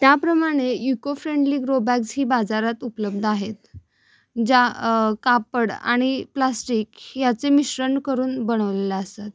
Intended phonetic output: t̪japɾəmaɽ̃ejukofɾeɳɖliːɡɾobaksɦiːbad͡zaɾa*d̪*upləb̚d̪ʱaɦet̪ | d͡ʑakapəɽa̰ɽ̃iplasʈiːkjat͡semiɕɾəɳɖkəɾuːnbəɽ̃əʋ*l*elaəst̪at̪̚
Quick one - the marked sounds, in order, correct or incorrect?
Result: incorrect: t̪, correct

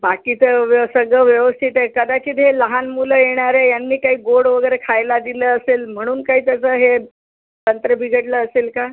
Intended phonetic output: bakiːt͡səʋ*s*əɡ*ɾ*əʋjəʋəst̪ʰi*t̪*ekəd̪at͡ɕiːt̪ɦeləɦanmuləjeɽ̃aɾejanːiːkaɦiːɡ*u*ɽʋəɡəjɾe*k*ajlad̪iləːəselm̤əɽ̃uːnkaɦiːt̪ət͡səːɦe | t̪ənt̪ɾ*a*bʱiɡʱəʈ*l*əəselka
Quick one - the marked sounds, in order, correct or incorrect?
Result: correct, incorrect: ɭ, correct, incorrect: o, incorrect: kʰ, incorrect: ə, correct

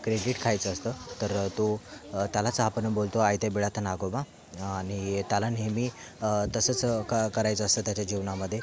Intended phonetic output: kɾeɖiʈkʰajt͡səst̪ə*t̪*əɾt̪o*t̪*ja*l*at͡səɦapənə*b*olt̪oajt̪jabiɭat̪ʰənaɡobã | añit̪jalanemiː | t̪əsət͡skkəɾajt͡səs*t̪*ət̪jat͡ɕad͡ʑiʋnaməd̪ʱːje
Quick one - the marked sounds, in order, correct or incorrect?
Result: correct, correct, correct, correct, correct

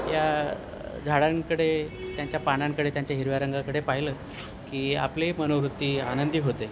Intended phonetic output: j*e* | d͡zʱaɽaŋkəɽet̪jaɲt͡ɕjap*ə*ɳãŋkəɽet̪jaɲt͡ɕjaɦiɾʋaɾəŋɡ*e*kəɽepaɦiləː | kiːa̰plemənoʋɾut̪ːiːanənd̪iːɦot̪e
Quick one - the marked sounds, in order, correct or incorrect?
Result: incorrect: a, incorrect: a, incorrect: a

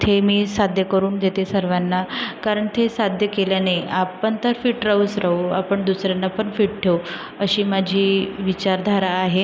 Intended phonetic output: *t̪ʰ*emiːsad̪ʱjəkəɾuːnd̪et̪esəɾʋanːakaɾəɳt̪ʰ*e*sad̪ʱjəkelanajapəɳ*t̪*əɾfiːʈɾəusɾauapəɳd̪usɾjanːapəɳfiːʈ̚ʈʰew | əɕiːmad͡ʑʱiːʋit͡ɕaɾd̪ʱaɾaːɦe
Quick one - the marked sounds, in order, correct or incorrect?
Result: correct, correct, correct

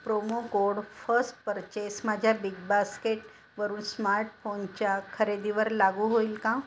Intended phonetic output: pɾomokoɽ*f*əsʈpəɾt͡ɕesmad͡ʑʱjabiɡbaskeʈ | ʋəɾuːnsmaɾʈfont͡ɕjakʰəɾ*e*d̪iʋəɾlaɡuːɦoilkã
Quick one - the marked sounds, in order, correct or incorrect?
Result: correct, correct

